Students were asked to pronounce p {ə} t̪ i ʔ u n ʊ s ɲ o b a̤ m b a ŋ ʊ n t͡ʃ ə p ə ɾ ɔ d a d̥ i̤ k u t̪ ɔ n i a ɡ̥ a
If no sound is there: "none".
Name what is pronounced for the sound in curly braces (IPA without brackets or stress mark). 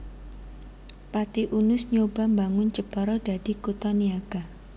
a